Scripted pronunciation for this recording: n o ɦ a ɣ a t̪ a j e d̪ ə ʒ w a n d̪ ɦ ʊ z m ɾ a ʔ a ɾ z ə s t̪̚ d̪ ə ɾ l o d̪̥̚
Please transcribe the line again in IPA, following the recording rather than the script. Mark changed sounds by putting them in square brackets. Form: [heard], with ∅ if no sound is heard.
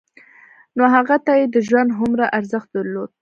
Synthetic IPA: n o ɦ a ɣ a t̪ a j e d̪ ə ʒ w a n d̪ ɦ ʊ [∅] m ɾ a ʔ a ɾ z ə [x] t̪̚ d̪ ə ɾ l o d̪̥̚